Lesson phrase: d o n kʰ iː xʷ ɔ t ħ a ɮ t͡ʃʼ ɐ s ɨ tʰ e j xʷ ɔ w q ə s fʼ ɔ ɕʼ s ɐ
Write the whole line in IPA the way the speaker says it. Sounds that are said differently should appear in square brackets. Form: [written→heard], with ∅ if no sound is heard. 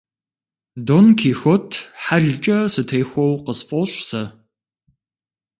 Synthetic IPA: d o n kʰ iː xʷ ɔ [t→tʰ] ħ a ɮ t͡ʃʼ ɐ s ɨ tʰ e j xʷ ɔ w q ə s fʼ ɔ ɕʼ s ɐ